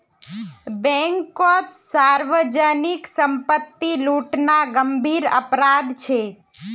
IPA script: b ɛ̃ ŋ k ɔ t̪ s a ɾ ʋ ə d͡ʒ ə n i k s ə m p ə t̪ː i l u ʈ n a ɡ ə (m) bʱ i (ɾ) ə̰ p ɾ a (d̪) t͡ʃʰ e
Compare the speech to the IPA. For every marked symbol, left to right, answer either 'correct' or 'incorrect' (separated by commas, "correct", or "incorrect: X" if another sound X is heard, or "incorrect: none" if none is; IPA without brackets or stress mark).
correct, correct, correct